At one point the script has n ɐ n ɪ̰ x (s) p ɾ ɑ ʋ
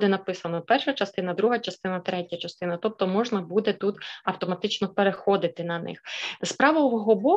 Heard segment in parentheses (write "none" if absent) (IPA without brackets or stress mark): s